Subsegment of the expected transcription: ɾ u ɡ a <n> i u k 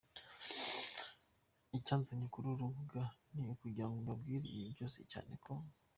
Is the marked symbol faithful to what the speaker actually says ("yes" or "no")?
yes